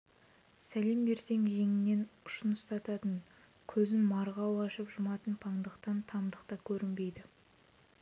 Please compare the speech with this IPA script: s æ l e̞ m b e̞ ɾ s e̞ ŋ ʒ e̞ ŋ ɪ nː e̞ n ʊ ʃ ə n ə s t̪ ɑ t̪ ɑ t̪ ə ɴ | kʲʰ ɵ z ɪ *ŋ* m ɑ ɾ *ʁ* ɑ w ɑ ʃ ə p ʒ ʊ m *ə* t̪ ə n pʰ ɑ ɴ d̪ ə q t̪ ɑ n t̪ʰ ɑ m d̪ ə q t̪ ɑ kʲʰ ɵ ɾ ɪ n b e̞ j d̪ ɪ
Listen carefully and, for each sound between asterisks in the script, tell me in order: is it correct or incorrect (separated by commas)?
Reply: incorrect, correct, incorrect